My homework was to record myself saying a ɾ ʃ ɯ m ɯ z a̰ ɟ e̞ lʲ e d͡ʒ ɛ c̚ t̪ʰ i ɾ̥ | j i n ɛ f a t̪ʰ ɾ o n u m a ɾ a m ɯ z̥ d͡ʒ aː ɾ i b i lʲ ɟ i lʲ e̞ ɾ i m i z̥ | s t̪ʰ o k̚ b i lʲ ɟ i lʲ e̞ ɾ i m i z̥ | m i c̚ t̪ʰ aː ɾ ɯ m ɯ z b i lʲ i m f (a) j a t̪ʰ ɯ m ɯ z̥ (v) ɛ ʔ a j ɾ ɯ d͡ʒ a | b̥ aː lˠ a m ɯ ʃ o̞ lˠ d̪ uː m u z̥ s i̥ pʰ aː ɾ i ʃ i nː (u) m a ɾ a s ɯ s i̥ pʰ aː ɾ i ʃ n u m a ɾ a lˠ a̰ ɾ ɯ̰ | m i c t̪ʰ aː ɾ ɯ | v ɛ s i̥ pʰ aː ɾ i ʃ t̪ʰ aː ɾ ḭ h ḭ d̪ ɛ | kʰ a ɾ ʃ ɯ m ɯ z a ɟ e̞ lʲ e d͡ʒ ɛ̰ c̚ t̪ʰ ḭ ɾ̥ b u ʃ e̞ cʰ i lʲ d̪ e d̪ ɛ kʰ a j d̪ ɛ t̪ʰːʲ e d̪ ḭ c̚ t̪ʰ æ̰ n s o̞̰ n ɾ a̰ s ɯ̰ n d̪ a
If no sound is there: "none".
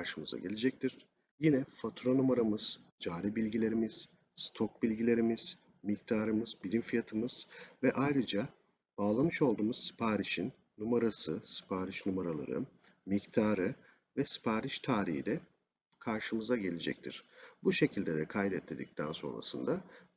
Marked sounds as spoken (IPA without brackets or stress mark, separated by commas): i, v, u